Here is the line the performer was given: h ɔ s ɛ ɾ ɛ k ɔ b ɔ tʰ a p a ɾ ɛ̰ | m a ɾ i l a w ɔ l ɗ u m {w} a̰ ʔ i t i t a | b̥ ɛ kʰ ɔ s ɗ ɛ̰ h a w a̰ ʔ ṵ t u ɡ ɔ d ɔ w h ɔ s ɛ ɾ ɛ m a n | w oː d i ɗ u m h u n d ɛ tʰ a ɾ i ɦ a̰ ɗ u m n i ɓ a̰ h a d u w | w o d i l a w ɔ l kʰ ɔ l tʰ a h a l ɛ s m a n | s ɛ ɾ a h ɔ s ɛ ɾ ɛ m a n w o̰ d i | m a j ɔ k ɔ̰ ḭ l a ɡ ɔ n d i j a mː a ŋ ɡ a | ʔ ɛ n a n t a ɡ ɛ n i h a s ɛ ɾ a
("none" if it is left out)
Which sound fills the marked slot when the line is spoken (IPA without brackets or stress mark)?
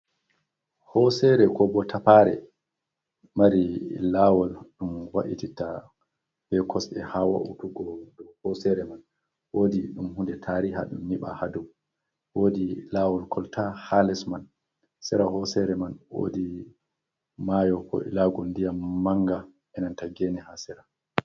w